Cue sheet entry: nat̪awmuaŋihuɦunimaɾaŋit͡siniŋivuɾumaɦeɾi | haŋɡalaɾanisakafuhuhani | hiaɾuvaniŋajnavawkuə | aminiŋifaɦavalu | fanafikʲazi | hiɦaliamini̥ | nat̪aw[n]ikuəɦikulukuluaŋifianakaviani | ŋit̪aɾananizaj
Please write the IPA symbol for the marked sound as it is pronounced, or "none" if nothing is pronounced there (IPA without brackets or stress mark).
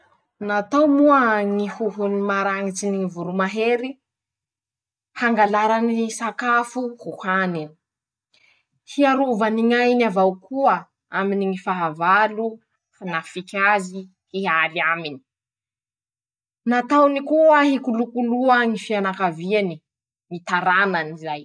n